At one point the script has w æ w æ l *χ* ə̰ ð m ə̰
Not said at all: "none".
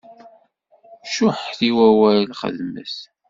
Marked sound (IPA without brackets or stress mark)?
χ